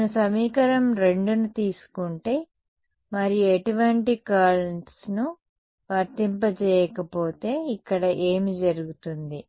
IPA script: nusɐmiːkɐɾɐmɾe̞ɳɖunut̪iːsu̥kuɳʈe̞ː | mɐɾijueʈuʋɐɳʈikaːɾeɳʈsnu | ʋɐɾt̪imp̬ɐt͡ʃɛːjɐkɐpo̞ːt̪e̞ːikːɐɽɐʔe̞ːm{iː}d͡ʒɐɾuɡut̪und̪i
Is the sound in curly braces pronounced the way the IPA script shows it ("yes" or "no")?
no